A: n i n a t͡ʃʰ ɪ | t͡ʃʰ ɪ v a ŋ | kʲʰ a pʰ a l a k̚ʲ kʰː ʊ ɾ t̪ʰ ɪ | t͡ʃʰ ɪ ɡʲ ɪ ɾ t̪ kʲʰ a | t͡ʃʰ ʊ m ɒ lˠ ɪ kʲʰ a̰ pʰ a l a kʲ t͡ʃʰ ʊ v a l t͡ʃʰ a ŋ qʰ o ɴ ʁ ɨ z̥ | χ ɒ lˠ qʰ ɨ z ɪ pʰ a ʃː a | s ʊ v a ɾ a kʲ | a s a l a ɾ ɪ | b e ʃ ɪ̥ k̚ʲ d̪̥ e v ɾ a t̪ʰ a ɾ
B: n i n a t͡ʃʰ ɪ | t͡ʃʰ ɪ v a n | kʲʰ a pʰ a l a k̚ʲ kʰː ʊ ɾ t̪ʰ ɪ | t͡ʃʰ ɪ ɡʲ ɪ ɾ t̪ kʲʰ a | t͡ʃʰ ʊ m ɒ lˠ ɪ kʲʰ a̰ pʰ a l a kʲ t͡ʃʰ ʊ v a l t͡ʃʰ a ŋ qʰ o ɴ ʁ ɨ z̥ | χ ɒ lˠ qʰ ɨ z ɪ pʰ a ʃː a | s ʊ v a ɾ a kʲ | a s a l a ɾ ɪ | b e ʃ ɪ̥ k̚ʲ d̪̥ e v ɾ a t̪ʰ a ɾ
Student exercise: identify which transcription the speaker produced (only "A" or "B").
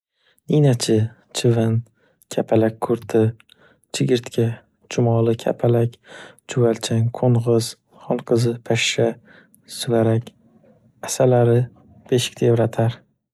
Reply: B